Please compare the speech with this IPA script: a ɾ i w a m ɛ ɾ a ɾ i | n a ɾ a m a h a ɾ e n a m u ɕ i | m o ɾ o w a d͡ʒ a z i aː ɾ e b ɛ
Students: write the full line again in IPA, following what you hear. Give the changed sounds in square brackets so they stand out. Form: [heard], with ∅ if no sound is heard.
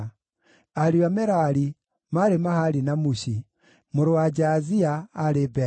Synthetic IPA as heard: a ɾ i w a m ɛ ɾ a ɾ i | [m] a ɾ [e] m a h a ɾ [i] n a m u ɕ i | m o ɾ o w a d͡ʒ a z i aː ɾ e b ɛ